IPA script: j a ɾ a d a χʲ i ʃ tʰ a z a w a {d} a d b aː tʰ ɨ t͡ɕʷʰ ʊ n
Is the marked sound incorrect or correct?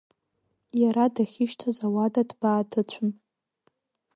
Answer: correct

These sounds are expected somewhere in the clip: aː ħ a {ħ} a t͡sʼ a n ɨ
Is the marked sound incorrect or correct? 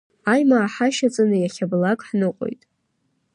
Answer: incorrect: ʃ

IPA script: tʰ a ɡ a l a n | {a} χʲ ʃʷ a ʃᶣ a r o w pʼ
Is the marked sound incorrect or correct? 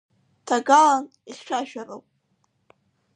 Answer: incorrect: i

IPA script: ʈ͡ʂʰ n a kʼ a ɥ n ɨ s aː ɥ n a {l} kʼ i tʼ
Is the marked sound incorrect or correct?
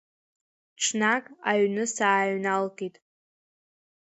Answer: correct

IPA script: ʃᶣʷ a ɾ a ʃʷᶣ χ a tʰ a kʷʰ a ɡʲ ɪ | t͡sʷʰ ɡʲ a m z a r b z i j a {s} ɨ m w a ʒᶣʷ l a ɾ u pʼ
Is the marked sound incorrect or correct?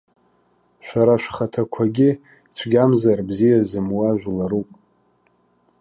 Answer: incorrect: z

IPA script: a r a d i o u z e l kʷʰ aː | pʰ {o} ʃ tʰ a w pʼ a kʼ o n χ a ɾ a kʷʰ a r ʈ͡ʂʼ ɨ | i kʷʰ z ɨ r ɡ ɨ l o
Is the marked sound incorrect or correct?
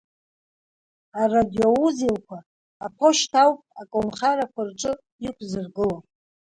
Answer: correct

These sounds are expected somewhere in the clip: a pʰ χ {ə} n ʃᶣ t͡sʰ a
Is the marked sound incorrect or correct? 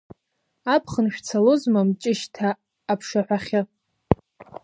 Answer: correct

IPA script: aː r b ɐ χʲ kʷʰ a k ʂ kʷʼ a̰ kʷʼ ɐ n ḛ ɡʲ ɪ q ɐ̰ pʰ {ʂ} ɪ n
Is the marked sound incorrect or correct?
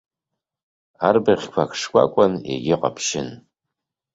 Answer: incorrect: ʃ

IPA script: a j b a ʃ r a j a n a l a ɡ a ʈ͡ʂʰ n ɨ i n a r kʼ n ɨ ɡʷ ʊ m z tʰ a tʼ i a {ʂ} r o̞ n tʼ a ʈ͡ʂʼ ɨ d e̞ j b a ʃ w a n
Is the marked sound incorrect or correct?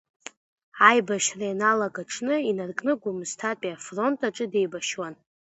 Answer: incorrect: f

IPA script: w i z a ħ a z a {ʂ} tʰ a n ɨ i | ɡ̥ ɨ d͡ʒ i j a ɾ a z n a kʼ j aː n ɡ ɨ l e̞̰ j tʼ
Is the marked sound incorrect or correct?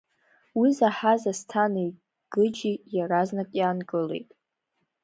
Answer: incorrect: s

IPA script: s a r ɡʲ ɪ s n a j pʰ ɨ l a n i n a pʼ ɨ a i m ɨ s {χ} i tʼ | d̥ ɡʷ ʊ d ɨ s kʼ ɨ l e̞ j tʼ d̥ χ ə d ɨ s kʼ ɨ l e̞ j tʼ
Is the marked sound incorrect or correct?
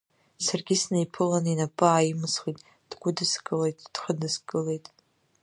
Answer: correct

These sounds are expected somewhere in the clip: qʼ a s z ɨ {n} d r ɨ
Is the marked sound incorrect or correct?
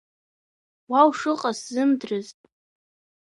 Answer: incorrect: m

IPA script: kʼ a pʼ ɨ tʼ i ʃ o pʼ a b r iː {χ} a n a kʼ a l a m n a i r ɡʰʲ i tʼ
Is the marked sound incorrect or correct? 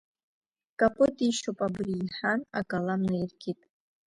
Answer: incorrect: ħ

